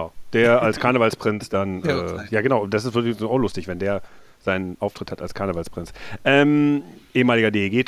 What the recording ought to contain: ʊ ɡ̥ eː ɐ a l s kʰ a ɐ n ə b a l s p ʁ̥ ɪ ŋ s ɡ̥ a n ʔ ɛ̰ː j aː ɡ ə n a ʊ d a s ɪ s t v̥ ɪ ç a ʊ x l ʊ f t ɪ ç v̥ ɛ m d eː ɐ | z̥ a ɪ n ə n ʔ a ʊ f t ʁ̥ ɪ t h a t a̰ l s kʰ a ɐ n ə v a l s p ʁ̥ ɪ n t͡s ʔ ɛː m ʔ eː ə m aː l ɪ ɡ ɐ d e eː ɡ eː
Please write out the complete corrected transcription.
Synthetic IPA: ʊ d̥ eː ɐ a l s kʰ a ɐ n ə v a l s p ʁ̥ ɪ n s d̥ a n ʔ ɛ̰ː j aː ɡ ə n a ʊ d a s ɪ s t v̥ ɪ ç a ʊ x l ʊ s t ɪ ç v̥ ɛ n d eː ɐ | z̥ a ɪ n ə n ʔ a ʊ f t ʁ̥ ɪ t h a t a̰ l s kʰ a ɐ n ə v a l s p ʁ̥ ɪ n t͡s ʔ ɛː m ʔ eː ə m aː l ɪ ɡ ɐ d e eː ɡ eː